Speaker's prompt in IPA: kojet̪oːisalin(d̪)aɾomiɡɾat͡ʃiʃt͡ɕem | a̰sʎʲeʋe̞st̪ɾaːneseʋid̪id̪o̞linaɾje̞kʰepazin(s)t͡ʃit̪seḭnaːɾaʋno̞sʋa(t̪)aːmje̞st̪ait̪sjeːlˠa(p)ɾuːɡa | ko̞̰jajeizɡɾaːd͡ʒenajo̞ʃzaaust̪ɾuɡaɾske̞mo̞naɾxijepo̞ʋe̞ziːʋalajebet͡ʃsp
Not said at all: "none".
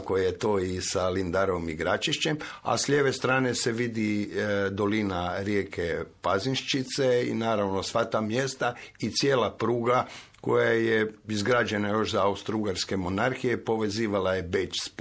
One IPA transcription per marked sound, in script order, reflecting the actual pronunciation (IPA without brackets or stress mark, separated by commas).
d̪, ʃ, t̪, p